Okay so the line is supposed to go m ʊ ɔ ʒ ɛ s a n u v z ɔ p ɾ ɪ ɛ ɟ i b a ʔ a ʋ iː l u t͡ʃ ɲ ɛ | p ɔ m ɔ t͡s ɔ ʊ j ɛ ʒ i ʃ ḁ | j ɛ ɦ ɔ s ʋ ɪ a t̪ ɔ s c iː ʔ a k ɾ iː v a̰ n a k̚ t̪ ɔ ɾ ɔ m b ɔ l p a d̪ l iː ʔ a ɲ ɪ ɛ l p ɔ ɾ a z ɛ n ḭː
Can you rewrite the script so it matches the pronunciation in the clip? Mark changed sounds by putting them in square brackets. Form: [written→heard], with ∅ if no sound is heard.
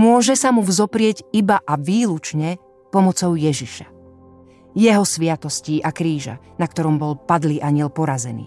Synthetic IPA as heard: m ʊ ɔ ʒ ɛ s a [n→m] u v z ɔ p ɾ ɪ ɛ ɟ i b a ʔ a ʋ iː l u t͡ʃ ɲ ɛ | p ɔ m ɔ t͡s ɔ ʊ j ɛ ʒ i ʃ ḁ | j ɛ ɦ ɔ s ʋ ɪ a t̪ ɔ s c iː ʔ a k ɾ iː [v→ʒ] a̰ n a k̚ t̪ ɔ ɾ ɔ m b ɔ l p a d̪ l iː ʔ a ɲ ɪ ɛ l p ɔ ɾ a z ɛ n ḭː